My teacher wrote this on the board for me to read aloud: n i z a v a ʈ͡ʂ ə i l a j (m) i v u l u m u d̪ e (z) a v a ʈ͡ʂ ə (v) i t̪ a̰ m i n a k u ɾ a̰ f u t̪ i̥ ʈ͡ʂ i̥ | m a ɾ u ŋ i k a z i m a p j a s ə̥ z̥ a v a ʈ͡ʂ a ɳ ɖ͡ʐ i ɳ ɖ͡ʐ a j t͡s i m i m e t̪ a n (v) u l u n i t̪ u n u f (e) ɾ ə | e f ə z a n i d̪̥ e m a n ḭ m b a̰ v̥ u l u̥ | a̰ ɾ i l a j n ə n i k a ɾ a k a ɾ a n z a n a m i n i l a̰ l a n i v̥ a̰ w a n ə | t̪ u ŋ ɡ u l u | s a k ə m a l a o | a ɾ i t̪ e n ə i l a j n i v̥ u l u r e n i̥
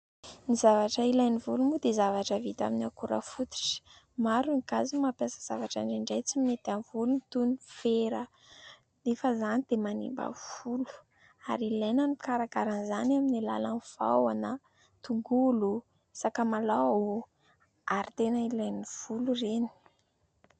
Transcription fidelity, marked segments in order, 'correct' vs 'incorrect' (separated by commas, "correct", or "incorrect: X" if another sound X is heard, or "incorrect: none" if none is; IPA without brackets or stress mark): incorrect: n, correct, correct, correct, correct